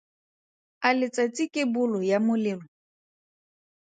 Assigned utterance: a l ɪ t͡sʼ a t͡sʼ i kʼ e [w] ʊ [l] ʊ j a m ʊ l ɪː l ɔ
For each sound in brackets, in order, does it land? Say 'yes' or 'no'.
no, yes

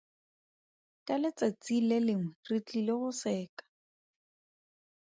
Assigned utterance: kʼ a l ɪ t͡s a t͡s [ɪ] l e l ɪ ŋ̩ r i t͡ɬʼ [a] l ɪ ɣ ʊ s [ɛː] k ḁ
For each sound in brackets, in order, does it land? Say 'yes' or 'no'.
no, no, yes

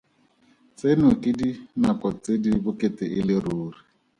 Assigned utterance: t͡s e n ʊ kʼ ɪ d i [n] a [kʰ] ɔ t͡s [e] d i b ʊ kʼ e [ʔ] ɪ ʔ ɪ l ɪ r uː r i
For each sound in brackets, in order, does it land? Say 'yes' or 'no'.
yes, no, yes, no

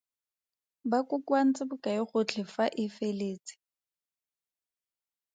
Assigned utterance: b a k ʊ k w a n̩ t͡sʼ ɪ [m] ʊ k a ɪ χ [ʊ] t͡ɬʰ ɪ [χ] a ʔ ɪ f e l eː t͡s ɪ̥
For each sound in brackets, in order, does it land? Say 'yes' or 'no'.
no, yes, no

